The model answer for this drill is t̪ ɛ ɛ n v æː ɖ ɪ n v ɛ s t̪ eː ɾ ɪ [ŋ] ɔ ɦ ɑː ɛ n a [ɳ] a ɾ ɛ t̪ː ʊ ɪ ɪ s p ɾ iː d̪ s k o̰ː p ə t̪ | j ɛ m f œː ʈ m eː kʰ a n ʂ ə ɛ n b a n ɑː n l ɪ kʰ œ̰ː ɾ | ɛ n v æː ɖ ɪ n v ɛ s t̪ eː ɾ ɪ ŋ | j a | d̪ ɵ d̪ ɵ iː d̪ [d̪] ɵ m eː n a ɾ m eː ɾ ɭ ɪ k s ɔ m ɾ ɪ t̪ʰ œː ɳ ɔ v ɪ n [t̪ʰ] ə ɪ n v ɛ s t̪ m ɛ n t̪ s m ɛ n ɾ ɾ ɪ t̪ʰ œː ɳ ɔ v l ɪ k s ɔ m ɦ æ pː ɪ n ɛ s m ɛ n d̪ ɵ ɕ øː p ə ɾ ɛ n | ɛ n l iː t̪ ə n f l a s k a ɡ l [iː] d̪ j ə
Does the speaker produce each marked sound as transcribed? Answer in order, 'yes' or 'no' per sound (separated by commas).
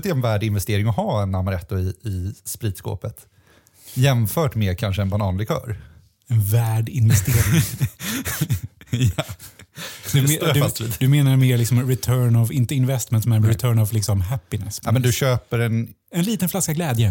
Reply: yes, no, yes, no, no